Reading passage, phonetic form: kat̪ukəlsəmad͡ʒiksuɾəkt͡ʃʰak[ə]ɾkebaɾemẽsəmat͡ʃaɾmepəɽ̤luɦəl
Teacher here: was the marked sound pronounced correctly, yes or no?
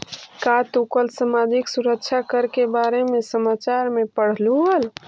yes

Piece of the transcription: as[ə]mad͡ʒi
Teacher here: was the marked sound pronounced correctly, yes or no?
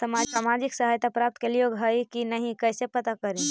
no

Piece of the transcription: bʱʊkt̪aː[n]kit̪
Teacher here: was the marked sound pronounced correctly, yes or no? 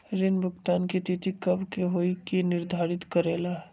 yes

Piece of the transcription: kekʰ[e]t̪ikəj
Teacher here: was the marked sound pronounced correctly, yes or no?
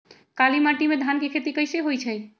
yes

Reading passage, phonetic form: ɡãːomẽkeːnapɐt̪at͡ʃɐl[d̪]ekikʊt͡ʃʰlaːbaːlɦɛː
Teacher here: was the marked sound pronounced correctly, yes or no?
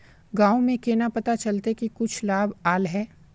no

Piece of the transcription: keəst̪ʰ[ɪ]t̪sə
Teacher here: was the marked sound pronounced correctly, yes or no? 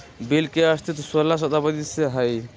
no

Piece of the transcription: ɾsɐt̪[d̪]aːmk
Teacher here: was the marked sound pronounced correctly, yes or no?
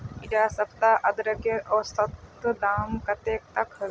yes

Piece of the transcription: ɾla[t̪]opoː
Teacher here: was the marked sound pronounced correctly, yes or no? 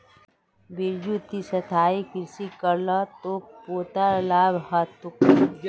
yes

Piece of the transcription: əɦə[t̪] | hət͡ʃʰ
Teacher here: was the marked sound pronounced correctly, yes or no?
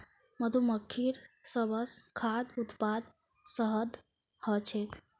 no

